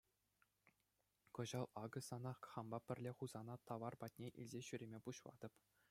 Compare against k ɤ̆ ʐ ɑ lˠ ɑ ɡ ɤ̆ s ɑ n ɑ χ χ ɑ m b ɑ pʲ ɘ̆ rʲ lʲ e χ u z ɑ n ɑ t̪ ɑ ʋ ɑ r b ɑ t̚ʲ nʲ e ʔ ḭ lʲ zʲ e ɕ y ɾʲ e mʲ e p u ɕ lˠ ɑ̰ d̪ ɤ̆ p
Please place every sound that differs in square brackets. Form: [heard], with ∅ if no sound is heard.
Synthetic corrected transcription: k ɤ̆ [ʑ] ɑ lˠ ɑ ɡ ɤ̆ s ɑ n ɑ χ χ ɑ m b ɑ pʲ ɘ̆ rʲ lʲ e χ u z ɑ n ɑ t̪ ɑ ʋ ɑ r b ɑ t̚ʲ nʲ e ʔ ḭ lʲ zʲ e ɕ y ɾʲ e mʲ e p u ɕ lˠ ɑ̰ d̪ ɤ̆ p

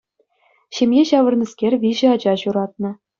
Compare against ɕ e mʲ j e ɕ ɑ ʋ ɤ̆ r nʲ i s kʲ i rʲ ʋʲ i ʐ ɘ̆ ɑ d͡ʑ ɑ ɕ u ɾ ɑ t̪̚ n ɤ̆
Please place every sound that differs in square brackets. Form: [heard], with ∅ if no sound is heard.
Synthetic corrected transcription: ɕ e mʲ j e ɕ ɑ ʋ ɤ̆ r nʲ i s kʲ [e] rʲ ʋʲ i [ʑ] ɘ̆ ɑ d͡ʑ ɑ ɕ u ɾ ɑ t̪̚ n ɤ̆

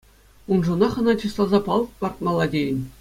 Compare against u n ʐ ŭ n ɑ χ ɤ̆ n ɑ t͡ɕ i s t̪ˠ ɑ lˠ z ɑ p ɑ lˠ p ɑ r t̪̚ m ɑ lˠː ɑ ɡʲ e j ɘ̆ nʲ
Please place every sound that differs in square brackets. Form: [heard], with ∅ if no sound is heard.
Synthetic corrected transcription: u n ʐ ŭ n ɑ χ ɤ̆ n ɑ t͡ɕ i s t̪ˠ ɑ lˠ z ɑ p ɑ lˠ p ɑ r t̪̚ m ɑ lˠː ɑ [dʲ] e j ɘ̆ nʲ

